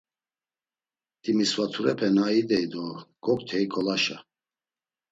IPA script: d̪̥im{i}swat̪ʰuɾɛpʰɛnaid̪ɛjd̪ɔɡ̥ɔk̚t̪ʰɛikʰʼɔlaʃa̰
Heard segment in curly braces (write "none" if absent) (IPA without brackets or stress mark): i